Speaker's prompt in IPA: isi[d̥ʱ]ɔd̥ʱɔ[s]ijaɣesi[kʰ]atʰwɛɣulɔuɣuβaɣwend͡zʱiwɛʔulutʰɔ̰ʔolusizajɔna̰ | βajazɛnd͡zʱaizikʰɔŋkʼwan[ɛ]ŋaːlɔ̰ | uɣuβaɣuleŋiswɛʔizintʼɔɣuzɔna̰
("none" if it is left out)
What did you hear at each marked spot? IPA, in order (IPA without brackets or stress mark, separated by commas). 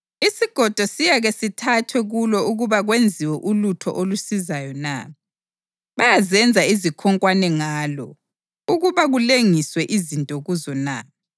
ɡ̥ʱ, s, tʰ, ɛ